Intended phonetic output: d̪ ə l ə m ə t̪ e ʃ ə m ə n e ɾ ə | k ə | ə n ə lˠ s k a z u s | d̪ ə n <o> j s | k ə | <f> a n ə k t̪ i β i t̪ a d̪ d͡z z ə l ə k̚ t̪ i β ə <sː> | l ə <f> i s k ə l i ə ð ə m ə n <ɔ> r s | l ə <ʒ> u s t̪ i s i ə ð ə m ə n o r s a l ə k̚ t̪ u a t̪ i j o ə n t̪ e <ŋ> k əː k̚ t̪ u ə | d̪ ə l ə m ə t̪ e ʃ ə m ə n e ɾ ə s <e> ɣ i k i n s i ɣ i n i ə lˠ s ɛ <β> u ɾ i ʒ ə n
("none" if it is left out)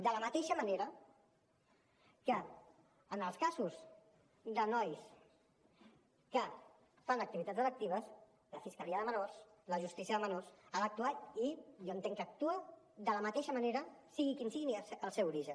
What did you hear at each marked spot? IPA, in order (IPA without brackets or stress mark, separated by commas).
ɔ, f, s, f, o, ʒ, ŋ, i, w